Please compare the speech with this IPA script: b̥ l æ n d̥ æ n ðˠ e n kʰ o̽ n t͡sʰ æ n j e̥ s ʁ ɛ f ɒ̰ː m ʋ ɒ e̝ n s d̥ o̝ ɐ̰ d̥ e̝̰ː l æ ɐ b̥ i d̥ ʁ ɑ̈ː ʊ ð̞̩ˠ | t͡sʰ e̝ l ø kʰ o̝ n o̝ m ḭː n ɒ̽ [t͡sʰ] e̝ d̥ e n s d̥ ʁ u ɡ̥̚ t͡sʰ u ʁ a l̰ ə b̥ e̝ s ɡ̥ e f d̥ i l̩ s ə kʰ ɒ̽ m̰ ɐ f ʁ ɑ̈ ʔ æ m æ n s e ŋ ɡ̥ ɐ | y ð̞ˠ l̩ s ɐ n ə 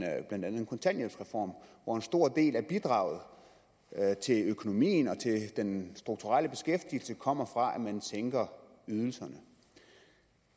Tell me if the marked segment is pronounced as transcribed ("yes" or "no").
yes